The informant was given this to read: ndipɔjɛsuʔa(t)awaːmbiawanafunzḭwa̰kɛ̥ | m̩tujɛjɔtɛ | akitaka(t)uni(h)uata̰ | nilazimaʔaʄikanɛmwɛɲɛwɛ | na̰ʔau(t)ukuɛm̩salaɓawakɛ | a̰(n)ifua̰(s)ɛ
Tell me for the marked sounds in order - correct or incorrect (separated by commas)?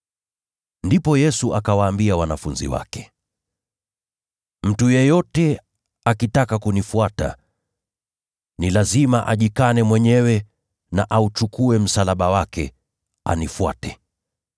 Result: incorrect, incorrect, incorrect, incorrect, correct, incorrect